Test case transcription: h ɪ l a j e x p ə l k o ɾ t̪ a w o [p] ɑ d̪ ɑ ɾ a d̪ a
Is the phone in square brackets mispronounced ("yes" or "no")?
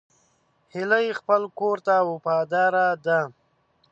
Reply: no